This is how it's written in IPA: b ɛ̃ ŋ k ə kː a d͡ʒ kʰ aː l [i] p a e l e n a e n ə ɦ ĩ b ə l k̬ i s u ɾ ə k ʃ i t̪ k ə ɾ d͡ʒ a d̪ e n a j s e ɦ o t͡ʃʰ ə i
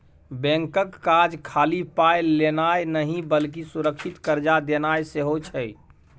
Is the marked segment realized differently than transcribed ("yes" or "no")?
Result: no